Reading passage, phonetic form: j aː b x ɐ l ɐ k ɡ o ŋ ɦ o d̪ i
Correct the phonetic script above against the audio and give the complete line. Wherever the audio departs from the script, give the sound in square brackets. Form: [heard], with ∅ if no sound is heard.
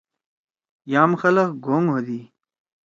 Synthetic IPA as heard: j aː [m] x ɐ l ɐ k ɡ o ŋ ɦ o d̪ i